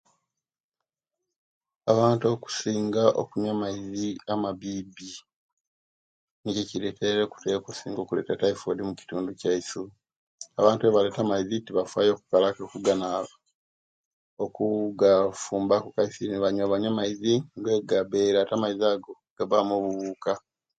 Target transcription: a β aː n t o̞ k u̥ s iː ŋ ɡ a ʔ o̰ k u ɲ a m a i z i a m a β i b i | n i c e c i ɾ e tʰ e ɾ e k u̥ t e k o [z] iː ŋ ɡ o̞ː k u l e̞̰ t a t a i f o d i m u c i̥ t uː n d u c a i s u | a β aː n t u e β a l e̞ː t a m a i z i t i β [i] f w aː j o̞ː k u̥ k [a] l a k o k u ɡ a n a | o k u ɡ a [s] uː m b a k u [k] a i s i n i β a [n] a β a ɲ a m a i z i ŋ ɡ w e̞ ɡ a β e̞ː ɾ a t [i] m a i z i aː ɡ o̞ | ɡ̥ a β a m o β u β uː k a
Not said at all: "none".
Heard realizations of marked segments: s, a, a, f, k, ɲ, a

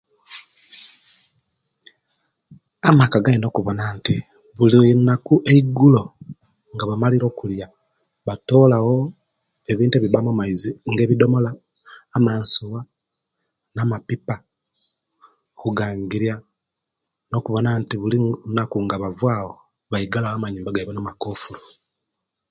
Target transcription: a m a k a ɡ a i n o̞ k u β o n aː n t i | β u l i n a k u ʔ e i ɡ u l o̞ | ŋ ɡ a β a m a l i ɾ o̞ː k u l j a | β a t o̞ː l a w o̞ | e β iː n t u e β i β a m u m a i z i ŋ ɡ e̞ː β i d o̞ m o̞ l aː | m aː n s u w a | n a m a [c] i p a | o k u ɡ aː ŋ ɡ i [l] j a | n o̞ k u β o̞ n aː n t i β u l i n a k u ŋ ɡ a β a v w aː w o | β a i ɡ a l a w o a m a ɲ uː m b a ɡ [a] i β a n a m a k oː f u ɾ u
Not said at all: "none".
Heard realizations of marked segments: p, ɾ, a

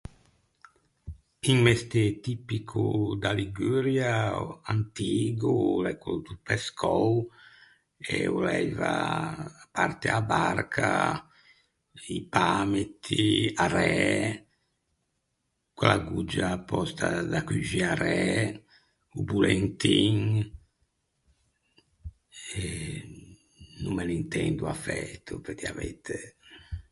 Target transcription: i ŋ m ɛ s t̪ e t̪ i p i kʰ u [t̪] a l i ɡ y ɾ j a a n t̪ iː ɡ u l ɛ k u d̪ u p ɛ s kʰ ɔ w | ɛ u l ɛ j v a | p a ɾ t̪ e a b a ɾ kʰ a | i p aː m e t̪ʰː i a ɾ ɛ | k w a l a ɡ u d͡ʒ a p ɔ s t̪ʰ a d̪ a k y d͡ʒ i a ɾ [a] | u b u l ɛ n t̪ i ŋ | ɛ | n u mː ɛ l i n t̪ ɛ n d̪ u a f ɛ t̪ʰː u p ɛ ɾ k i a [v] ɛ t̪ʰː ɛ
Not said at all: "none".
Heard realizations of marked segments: d̪, ɛ, v

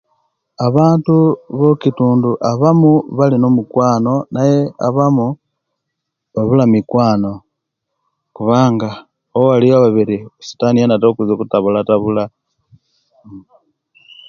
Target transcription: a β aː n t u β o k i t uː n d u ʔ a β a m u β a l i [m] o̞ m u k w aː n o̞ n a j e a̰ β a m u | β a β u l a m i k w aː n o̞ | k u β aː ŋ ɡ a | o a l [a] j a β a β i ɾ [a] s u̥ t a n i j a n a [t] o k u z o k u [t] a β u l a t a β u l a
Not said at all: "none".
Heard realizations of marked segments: n, i, i, t, t

